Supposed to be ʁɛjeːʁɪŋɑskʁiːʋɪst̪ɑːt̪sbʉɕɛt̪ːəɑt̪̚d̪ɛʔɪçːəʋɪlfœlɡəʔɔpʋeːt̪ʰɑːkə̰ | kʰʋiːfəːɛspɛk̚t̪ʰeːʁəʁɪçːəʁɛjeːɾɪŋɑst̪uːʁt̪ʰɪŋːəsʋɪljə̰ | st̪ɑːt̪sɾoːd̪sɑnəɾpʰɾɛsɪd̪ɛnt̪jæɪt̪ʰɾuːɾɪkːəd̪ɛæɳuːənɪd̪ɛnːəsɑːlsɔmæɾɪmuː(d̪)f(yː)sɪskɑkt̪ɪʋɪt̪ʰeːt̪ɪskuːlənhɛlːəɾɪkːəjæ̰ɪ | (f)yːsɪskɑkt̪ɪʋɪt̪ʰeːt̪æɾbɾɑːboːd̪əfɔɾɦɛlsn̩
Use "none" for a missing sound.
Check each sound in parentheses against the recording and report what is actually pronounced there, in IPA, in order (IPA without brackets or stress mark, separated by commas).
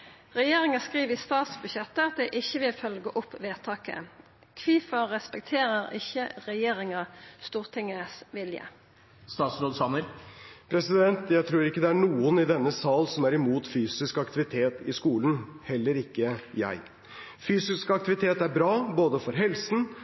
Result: t̪, yː, f